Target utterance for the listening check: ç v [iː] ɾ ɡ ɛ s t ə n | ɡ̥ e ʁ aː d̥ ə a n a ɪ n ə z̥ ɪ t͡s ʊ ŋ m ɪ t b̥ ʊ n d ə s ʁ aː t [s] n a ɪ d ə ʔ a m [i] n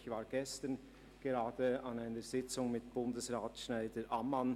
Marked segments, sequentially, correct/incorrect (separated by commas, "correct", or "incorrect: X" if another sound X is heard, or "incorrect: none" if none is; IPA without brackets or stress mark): incorrect: aː, incorrect: ʃ, incorrect: a